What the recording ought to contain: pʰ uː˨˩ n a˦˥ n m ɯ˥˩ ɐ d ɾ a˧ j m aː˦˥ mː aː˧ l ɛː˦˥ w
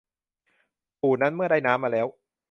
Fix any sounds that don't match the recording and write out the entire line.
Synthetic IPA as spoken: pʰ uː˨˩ n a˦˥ n m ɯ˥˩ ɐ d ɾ a˥˩ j n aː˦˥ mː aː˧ l ɛː˦˥ w